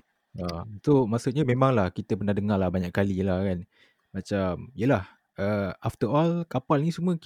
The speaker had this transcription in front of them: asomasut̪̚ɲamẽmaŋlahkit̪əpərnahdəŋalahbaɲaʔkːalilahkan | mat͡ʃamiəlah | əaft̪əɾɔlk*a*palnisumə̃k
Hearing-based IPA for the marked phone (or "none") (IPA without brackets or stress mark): a